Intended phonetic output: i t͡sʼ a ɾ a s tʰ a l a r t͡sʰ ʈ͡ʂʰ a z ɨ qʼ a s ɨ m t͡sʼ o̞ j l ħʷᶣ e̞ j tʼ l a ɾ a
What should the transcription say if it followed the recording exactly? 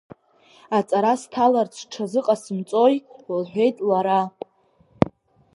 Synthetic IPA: a t͡sʼ a ɾ a s tʰ a l a r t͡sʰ ʈ͡ʂʰ a z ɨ qʼ a s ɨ m t͡sʼ o̞ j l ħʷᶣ e̞ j tʼ l a ɾ a